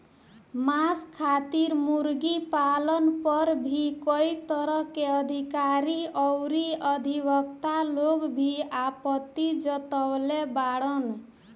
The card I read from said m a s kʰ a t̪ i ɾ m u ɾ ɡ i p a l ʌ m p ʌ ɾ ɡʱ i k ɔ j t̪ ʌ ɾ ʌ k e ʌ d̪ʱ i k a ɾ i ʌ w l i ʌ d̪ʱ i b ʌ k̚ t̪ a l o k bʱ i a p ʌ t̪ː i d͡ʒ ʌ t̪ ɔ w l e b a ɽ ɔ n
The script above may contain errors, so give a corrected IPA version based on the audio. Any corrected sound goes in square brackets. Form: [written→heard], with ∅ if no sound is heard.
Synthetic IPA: m a s kʰ a t̪ i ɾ m u ɾ ɡ i p a l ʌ [m→n] p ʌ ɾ [ɡʱ→bʱ] i k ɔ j t̪ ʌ ɾ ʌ k e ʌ d̪ʱ i k a ɾ i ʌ w [l→ɾ] i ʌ d̪ʱ i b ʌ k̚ t̪ a l o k bʱ i a p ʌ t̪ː i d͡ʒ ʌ t̪ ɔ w l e b a ɽ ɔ n